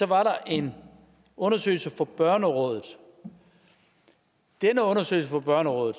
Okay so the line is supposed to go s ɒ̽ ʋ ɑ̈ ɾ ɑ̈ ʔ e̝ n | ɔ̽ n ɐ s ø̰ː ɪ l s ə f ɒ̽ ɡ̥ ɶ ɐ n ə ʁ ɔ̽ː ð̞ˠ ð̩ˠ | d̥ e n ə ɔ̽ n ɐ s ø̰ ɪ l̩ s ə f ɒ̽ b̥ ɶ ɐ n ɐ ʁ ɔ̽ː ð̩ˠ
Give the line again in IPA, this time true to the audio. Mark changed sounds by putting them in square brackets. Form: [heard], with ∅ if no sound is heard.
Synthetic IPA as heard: s ɒ̽ ʋ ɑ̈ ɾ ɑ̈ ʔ e̝ n | ɔ̽ n ɐ s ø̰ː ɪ l s ə f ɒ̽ [b̥] ɶ ɐ n ə ʁ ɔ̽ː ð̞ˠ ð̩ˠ | d̥ e n ə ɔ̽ n ɐ s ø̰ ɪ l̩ s ə f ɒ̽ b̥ ɶ ɐ n [ə] ʁ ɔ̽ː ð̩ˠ